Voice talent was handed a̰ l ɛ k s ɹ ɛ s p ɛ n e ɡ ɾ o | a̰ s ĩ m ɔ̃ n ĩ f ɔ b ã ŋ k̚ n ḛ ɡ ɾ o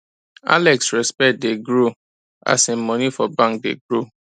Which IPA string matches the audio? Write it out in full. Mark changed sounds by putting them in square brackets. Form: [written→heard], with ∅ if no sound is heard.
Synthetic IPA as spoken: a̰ l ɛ k s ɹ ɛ s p ɛ [n→d] e ɡ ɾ o | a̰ s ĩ m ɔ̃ n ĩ f ɔ b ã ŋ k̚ [n→d] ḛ ɡ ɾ o